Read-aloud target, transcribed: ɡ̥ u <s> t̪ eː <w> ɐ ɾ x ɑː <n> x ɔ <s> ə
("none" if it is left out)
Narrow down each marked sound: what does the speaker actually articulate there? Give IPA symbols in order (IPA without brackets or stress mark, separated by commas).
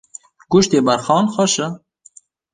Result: ʃ, b, n, ʃ